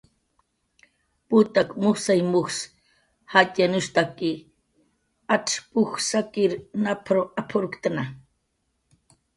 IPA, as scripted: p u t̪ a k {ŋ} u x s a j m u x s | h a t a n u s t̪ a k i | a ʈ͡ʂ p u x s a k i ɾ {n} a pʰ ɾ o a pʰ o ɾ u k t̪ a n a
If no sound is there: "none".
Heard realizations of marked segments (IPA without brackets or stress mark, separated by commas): m, n